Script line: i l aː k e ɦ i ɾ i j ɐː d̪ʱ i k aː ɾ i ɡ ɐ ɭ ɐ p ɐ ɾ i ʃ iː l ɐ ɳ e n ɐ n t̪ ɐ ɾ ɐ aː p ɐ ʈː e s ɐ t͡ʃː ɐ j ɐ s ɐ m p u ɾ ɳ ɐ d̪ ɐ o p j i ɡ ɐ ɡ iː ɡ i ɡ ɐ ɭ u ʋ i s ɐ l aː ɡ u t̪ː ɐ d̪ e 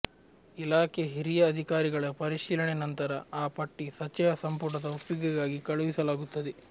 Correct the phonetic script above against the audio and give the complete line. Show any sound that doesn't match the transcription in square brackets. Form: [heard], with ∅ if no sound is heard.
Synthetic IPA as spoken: i l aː k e ɦ i ɾ i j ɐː d̪ʱ i k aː ɾ i ɡ ɐ ɭ ɐ p ɐ ɾ i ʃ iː l ɐ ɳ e n ɐ n t̪ ɐ ɾ ɐ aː p ɐ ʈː [i] s ɐ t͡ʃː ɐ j ɐ s ɐ m p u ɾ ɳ ɐ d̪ ɐ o p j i ɡ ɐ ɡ [aː] ɡ i [k] ɐ ɭ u ʋ i s ɐ l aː ɡ u t̪ː ɐ d̪ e